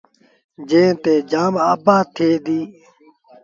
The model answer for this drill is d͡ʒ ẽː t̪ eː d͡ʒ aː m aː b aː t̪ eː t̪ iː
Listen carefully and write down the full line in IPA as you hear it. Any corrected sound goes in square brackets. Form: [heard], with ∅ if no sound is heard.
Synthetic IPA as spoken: d͡ʒ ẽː t̪ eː d͡ʒ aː m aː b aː [t̪ʰ] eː [d̪] iː